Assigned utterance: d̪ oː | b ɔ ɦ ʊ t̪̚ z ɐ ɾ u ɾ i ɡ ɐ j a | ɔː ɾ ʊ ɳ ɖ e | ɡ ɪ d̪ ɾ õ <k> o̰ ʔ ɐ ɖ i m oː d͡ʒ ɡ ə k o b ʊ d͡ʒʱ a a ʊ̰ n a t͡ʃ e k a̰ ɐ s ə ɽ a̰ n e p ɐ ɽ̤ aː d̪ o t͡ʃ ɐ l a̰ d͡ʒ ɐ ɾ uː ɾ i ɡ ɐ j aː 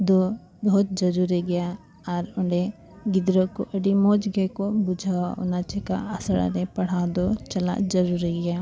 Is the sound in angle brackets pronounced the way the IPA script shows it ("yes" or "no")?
yes